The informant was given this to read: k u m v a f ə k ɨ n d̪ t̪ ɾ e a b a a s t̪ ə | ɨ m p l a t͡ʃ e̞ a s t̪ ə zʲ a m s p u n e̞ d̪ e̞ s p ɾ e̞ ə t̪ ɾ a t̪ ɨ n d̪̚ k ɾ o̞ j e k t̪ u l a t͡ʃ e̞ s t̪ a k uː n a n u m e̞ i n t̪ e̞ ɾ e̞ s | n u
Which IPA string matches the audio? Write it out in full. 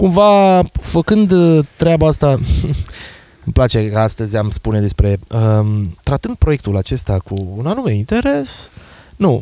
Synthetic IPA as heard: k u m v a f ə k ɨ n d̪ t̪ ɾ e a b a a s t̪ a | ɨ m p l a t͡ʃ e̞ a s t̪ ə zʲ a m s p u n e̞ d̪ e̞ s p ɾ e̞ ə t̪ ɾ a t̪ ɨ n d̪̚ p ɾ o̞ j e k t̪ u l a t͡ʃ e̞ s t̪ a k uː n a n u m e̞ i n t̪ e̞ ɾ e̞ s | n u